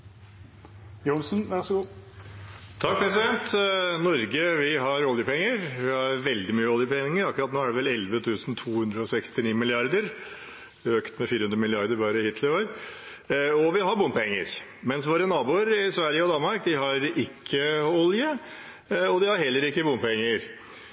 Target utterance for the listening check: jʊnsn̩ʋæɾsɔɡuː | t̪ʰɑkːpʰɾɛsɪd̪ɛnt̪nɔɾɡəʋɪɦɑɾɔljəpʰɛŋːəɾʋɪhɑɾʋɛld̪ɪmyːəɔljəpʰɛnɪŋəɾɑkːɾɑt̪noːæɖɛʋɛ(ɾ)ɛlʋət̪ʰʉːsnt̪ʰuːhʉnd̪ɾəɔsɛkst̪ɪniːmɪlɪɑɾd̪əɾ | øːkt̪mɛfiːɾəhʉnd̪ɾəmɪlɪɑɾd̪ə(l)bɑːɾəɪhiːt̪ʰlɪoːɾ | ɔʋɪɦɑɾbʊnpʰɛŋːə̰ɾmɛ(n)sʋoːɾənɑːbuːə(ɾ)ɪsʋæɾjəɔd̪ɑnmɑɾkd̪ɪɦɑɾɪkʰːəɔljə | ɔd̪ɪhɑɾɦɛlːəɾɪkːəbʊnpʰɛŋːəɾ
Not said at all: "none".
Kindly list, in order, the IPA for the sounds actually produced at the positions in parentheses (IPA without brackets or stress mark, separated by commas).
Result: l, ɾ, n, ɾ